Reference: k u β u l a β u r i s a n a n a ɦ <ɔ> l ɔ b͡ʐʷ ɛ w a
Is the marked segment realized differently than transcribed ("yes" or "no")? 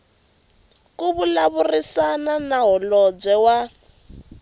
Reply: no